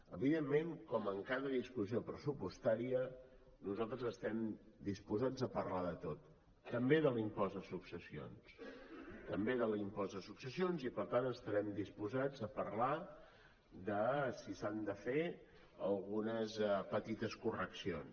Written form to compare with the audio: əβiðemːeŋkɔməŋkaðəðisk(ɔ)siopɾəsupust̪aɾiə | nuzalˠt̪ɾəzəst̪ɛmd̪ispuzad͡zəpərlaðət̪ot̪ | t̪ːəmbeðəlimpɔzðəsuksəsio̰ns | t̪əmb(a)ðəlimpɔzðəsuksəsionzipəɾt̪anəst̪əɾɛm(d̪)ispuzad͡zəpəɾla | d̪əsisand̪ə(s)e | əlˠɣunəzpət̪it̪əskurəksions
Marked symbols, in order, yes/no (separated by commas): no, no, yes, no